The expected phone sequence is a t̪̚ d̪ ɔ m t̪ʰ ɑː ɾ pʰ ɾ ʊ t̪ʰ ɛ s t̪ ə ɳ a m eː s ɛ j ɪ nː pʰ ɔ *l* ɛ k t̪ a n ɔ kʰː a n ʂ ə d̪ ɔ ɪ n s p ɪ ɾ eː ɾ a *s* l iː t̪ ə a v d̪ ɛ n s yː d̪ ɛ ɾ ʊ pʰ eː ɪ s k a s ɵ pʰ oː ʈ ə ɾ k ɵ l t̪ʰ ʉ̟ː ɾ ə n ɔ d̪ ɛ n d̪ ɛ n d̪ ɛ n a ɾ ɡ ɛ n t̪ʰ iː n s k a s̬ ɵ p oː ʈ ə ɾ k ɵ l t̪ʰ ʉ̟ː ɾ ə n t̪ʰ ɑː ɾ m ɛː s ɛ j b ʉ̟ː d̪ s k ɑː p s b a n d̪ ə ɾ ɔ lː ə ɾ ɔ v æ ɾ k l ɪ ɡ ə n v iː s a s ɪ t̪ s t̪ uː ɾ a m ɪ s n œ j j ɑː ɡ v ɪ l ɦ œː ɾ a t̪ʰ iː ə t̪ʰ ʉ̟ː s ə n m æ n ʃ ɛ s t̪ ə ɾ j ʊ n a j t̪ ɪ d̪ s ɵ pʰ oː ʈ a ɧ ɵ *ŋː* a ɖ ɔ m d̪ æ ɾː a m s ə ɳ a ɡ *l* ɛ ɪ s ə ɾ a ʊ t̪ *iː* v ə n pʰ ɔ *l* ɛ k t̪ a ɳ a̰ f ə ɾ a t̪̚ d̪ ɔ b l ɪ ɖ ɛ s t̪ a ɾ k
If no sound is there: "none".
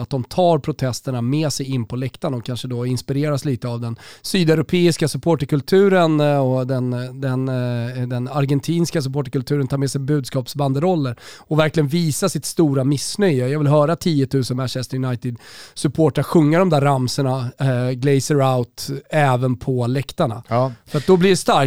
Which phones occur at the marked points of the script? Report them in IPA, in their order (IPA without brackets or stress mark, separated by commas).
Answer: l, s, ŋː, l, ɛː, l